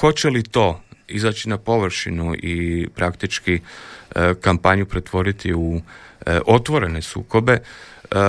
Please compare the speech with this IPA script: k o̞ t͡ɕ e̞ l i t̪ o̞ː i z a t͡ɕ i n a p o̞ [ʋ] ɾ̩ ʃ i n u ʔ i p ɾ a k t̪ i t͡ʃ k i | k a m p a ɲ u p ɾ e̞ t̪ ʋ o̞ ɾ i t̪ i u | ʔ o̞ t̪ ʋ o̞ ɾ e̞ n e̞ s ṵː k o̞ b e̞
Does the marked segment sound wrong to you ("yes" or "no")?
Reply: no